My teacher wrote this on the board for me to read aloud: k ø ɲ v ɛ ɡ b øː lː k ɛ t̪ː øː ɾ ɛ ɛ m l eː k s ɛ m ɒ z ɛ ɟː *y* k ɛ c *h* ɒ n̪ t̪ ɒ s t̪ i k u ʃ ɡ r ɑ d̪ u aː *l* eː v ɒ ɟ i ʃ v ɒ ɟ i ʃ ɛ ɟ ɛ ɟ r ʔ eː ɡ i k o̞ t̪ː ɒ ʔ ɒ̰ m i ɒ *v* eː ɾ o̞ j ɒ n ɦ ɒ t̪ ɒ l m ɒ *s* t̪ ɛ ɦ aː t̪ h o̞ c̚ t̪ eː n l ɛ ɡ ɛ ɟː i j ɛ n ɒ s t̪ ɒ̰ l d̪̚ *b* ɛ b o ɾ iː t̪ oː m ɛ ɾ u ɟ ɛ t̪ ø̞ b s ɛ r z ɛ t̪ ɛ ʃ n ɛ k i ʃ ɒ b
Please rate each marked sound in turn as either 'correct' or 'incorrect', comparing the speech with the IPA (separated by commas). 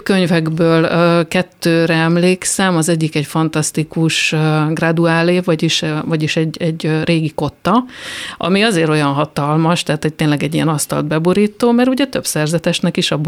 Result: incorrect, incorrect, correct, incorrect, incorrect, correct